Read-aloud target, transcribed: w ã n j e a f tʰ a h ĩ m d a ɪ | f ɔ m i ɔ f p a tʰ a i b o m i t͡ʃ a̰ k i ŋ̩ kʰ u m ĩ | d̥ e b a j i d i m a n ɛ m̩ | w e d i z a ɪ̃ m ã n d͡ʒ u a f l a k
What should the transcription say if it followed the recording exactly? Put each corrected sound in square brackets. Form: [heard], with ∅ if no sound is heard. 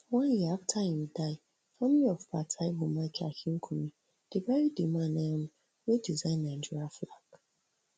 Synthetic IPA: w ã n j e a f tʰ a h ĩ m d a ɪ | f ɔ m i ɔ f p a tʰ a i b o m [a] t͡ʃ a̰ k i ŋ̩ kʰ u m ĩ | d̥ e b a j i d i m a n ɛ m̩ | w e d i z a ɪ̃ [n] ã n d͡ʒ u a f l a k